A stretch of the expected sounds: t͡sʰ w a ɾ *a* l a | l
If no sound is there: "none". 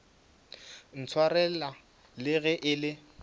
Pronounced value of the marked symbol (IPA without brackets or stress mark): ɛ